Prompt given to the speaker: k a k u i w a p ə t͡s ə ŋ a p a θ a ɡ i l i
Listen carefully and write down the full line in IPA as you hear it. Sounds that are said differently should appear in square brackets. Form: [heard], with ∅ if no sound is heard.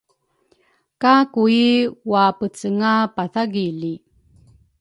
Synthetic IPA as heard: k a k u i w a p ə t͡s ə ŋ a p a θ a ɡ i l i